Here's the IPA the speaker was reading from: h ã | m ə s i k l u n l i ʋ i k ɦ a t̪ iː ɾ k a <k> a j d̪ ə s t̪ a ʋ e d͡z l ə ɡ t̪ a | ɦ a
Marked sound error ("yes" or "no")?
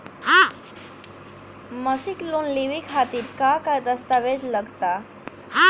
no